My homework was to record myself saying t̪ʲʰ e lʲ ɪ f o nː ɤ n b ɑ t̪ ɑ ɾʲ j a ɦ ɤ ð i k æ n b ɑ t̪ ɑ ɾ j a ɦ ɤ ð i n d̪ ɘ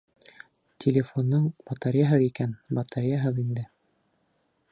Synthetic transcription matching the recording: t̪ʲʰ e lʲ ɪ f o nː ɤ ɴ b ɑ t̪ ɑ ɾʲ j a ɦ ɤ ð i k æ n b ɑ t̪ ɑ ɾ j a ɦ ɤ ð i n d̪ ɘ